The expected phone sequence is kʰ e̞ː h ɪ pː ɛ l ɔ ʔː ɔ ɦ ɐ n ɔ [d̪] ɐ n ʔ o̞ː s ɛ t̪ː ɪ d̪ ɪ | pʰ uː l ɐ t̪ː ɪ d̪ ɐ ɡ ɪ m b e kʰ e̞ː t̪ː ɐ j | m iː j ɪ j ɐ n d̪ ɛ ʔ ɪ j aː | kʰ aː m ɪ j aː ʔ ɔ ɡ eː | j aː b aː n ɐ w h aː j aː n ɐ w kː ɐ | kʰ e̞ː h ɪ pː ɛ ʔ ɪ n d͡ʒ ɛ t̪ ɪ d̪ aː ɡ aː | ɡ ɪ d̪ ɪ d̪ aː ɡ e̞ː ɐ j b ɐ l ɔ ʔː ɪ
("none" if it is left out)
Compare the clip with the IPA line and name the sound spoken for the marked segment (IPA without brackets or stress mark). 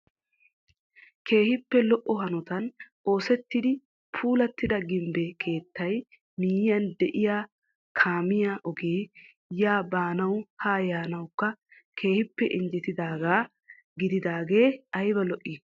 t̪